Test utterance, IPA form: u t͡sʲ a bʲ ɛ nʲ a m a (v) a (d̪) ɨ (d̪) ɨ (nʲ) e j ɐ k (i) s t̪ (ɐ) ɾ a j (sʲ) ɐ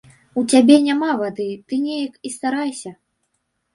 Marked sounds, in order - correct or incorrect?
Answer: correct, correct, incorrect: t̪, correct, correct, incorrect: a, correct

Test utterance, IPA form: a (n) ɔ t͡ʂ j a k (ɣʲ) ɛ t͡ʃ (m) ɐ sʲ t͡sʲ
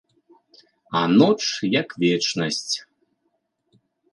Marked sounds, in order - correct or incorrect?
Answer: correct, incorrect: vʲ, incorrect: n

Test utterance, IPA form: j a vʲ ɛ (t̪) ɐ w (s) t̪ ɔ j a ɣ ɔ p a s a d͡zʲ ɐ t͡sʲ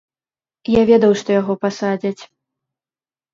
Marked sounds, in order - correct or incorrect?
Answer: incorrect: d̪, incorrect: ʂ

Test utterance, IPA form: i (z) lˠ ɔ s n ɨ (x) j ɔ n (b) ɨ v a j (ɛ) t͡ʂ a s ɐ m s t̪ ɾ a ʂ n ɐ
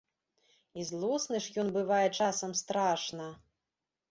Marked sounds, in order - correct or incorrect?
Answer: correct, incorrect: ʂ, correct, correct

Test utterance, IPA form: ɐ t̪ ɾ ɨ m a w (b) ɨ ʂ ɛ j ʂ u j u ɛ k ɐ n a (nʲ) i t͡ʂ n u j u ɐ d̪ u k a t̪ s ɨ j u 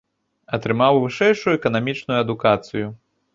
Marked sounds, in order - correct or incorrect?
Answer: incorrect: v, incorrect: mʲ

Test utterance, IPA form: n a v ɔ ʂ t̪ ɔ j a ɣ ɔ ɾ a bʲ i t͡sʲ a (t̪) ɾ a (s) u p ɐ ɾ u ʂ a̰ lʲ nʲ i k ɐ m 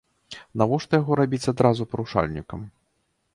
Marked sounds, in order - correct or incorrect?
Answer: incorrect: d̪, incorrect: z

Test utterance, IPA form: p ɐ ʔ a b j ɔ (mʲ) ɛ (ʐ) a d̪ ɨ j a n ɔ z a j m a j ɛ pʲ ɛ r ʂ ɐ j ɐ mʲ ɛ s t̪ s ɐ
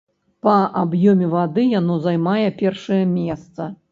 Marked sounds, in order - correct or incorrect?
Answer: correct, incorrect: v

